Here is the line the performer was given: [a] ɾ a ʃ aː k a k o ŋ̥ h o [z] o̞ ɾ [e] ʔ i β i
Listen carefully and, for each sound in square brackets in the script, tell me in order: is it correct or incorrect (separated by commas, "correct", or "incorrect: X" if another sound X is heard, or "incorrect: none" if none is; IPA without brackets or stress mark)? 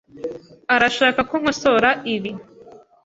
correct, incorrect: s, incorrect: a